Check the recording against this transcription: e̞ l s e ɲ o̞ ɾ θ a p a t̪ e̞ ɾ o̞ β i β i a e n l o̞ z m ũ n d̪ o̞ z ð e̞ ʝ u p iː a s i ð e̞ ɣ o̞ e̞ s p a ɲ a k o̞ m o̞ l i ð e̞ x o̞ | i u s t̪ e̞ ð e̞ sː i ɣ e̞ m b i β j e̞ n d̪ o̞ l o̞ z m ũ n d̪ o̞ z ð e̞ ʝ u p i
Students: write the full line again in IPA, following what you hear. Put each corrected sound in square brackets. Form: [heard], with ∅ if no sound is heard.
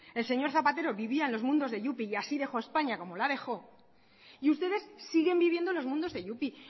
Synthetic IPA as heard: e̞ l s e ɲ o̞ ɾ θ a p a t̪ e̞ ɾ o̞ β i β i a e n l o̞ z m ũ n d̪ o̞ z ð e̞ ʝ u p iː a s i ð e̞ [x] o̞ e̞ s p a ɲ a k o̞ m o̞ l [a] ð e̞ x o̞ | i u s t̪ e̞ ð e̞ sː i ɣ e̞ m b i β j e̞ n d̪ o̞ l o̞ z m ũ n d̪ o̞ z ð e̞ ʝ u p i